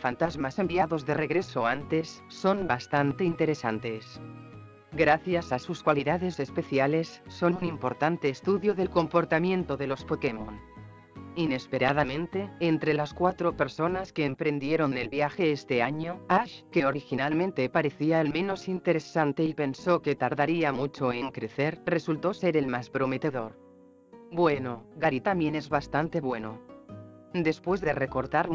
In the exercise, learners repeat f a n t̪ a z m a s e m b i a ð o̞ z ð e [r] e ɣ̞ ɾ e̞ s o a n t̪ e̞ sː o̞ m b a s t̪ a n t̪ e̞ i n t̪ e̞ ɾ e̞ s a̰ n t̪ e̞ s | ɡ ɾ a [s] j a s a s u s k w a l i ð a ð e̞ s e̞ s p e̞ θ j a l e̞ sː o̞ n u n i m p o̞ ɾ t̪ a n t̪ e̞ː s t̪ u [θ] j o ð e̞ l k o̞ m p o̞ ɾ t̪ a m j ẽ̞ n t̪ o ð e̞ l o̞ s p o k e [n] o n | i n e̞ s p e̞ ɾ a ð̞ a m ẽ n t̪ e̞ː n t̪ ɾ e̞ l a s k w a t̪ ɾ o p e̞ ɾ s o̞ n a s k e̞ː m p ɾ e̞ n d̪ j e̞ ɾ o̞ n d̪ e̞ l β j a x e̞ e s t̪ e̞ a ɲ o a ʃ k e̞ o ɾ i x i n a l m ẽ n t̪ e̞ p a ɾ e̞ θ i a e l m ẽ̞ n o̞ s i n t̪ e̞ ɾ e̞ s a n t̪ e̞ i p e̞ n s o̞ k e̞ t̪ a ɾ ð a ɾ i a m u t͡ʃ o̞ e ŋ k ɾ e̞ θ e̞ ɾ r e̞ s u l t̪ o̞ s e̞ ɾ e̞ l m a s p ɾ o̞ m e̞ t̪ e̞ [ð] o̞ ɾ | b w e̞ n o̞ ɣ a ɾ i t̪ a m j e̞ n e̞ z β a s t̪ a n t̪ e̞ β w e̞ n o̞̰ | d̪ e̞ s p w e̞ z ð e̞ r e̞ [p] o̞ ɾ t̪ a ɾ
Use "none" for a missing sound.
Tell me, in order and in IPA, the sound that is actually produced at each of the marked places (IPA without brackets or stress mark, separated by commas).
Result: r, θ, ð, m, ð, k